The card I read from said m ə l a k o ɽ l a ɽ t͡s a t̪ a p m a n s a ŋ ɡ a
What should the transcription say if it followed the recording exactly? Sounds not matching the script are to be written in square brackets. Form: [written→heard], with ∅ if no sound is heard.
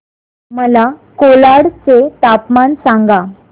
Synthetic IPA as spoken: m ə l a k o [ɽ→∅] l a ɽ t͡s [a→e] t̪ a p m a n s a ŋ ɡ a